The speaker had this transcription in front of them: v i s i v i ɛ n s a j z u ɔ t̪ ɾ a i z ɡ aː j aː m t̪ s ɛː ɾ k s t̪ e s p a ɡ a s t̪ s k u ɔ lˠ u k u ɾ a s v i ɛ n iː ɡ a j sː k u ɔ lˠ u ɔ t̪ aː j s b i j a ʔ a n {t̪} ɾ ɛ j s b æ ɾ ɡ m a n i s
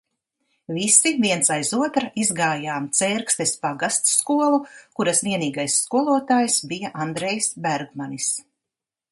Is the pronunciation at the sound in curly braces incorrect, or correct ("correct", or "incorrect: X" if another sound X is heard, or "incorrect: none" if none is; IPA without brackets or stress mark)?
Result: incorrect: d̪